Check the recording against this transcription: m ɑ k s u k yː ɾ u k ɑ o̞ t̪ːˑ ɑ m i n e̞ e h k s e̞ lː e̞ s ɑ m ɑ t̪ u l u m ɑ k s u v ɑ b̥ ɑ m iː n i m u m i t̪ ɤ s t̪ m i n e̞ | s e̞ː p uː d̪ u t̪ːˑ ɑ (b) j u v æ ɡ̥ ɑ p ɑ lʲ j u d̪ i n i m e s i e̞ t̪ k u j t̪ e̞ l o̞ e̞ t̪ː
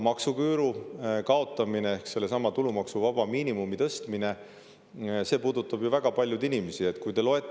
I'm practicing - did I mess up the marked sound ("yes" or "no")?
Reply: no